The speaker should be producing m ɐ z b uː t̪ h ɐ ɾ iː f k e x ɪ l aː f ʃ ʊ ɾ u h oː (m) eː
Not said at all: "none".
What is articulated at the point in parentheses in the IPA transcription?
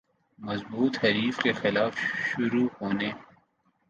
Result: n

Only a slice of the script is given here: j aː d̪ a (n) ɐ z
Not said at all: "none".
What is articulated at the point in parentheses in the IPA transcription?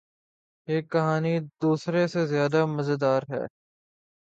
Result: m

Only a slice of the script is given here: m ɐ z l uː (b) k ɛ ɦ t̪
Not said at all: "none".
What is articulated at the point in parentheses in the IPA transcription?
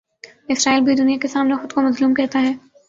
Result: m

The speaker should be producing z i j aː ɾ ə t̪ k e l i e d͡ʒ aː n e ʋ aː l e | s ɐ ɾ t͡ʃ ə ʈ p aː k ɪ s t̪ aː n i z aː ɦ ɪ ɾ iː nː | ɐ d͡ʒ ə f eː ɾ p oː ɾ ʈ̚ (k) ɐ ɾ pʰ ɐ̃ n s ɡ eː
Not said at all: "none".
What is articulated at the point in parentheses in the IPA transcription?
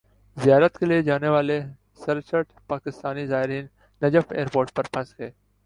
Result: p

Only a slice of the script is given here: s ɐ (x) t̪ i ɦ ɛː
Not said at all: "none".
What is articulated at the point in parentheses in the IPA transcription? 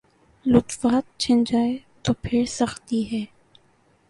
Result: x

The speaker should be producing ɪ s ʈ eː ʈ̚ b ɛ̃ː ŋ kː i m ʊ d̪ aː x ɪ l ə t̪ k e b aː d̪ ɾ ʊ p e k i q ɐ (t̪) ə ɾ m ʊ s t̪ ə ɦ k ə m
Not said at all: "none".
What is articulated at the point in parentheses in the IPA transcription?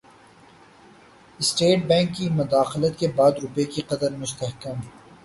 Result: d̪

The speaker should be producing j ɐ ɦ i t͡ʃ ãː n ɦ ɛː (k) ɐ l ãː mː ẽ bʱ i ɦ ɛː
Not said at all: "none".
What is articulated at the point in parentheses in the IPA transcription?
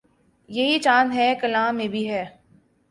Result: k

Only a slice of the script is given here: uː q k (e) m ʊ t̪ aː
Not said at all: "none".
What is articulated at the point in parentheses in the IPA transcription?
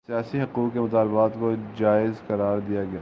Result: e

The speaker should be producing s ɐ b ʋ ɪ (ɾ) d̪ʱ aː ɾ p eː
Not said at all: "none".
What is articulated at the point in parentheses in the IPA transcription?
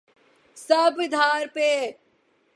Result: none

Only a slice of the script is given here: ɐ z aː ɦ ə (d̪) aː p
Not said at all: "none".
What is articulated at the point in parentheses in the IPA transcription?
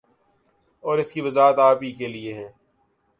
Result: t̪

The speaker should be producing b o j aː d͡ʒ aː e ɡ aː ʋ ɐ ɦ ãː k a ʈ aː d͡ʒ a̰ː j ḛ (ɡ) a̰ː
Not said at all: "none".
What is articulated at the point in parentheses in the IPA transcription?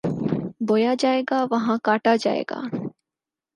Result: ɡ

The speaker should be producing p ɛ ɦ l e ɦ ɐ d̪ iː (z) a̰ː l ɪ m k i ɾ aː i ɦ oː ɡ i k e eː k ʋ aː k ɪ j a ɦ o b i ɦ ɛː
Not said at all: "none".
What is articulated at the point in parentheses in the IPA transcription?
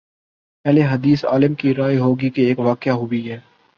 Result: s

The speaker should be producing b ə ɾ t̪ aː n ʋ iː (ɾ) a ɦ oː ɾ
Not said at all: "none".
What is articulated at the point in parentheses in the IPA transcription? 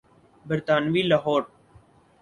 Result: l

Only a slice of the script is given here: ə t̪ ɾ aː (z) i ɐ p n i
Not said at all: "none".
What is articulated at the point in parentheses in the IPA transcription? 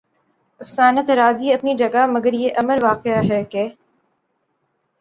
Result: z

